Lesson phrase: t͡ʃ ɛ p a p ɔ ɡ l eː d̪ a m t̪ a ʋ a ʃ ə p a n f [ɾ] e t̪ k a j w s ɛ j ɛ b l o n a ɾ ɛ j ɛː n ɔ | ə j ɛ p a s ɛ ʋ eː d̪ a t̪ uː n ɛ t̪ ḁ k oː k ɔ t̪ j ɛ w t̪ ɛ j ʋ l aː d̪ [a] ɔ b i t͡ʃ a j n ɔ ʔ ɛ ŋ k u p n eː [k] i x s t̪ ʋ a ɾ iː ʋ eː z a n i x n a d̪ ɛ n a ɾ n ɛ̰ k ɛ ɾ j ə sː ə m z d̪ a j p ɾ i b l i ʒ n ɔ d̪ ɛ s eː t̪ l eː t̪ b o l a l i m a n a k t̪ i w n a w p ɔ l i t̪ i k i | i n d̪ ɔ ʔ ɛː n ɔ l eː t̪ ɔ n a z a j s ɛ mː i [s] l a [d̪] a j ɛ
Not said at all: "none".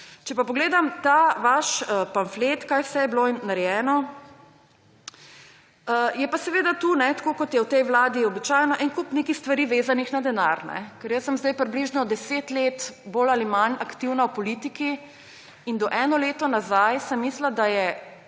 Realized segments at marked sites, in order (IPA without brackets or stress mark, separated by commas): l, i, k, s, d̪